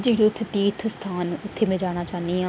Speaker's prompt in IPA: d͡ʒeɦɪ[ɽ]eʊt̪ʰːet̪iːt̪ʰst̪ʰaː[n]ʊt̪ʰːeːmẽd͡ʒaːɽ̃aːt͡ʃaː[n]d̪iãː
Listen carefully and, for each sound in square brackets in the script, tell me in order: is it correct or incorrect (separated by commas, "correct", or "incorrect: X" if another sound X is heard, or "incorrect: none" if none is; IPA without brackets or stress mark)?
correct, correct, correct